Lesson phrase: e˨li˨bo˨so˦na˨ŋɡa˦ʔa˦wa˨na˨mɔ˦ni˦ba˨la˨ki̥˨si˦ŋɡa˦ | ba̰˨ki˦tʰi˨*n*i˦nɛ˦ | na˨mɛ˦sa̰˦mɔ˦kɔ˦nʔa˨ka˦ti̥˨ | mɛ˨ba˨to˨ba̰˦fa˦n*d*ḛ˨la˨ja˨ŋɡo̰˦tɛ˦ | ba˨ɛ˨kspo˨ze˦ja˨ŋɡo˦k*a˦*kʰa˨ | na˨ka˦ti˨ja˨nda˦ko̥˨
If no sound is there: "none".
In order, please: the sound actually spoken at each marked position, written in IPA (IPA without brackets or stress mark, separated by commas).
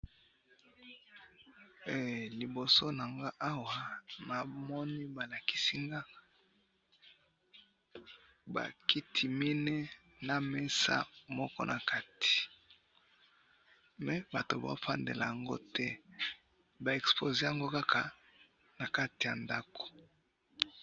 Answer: m, d, a˦